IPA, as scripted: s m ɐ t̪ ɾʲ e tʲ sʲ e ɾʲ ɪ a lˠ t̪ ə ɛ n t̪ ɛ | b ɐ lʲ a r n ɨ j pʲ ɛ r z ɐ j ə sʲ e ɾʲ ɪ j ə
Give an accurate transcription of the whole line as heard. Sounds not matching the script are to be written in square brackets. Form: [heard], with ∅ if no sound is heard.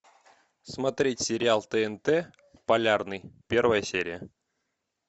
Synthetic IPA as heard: s m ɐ t̪ ɾʲ e tʲ sʲ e ɾʲ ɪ a lˠ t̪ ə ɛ n t̪ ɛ | [p] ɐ lʲ a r n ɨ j pʲ [e] r [v] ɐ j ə sʲ e ɾʲ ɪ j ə